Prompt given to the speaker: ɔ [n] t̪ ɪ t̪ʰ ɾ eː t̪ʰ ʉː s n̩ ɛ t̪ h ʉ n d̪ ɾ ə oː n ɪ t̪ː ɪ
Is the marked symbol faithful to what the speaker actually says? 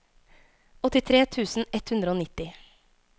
no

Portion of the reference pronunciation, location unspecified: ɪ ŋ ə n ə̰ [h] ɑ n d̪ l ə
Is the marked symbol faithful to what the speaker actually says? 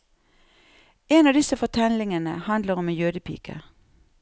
yes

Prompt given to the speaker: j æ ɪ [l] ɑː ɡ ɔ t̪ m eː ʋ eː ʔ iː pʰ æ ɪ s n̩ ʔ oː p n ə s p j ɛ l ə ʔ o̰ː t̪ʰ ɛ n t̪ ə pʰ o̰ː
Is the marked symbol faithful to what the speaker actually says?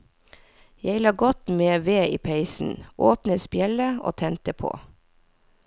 yes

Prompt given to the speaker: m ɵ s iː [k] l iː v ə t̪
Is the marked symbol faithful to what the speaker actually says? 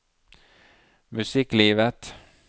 yes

